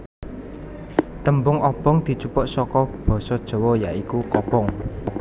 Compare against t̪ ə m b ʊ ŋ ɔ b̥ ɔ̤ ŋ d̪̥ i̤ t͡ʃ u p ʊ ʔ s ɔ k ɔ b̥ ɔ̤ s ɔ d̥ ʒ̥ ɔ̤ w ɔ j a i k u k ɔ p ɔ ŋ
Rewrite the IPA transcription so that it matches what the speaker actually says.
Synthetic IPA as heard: t̪ ə m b ʊ ŋ ɔ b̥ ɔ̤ ŋ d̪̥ i̤ t͡ʃ u p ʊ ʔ s ɔ k ɔ b̥ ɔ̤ s ɔ d̥ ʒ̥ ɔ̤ w ɔ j a i k u k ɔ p ɔ ŋ